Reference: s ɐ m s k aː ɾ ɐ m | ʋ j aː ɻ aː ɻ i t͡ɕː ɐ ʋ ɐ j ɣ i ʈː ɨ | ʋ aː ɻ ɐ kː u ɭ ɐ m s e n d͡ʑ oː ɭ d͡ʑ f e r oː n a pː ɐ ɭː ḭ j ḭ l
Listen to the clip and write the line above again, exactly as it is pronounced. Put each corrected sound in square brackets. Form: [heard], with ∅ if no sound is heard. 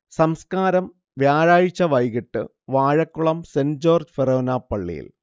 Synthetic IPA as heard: s ɐ m s k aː ɾ ɐ m | ʋ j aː ɻ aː ɻ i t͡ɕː ɐ ʋ ɐ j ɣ i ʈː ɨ | ʋ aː ɻ ɐ kː u ɭ ɐ m s e n d͡ʑ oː [r] d͡ʑ f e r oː n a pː ɐ ɭː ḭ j ḭ l